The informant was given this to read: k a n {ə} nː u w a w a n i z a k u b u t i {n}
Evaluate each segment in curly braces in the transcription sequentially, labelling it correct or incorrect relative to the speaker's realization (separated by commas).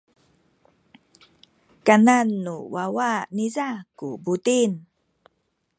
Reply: incorrect, correct